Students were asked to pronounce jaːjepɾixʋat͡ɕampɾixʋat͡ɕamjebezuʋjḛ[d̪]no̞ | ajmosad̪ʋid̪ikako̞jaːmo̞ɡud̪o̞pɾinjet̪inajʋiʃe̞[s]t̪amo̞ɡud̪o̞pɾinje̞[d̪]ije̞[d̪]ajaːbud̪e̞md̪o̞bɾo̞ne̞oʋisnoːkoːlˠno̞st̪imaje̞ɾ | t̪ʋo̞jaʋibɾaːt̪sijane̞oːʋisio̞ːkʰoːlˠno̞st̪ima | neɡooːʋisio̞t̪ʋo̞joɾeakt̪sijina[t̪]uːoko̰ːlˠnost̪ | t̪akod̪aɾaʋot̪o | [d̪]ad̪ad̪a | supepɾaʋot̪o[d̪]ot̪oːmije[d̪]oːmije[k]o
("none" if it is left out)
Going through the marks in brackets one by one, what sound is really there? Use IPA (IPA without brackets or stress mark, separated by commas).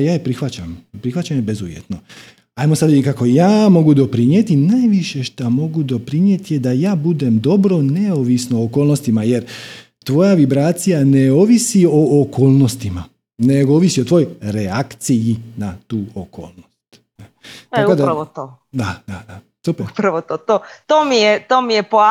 t̪, ʃ, t̪, d̪, t̪, d̪, t̪, t̪, p